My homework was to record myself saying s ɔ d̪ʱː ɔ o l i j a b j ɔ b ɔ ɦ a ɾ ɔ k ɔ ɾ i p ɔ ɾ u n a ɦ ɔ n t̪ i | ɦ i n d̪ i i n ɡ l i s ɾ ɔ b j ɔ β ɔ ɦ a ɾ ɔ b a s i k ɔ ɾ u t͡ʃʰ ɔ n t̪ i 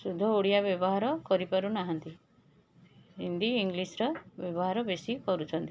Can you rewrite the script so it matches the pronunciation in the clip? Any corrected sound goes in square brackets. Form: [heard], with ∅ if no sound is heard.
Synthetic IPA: s [u] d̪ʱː ɔ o [ɽ] i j a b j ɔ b ɔ ɦ a ɾ ɔ k ɔ ɾ i p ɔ ɾ u n a ɦ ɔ n t̪ i | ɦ i n d̪ i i [ŋ] ɡ l i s ɾ ɔ b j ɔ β ɔ ɦ a ɾ ɔ b [e] s i k ɔ ɾ u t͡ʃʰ ɔ n t̪ i